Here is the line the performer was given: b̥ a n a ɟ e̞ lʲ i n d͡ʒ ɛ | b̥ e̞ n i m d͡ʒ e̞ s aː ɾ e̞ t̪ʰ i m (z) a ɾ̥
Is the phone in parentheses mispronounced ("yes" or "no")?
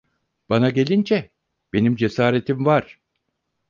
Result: yes